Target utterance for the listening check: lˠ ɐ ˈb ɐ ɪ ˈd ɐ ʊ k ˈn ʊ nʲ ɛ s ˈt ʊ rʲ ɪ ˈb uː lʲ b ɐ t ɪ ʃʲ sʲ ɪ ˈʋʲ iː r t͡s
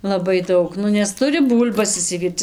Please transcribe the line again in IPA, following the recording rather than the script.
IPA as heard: lˠ ɐ ˈb ɐ ɪ ˈd ɐ ʊ k ˈn ʊ nʲ ɛ s ˈt ʊ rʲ ɪ ˈb uː lʲ b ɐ s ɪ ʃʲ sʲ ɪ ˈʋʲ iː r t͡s